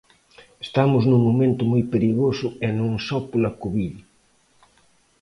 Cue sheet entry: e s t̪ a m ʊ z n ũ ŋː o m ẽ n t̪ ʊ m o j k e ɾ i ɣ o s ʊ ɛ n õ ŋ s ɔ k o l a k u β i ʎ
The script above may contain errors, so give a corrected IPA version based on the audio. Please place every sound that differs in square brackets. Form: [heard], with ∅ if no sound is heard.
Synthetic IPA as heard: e s t̪ a m ʊ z n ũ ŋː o m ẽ n t̪ ʊ m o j [p] e ɾ i ɣ o s ʊ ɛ n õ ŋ s ɔ [p] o l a k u β i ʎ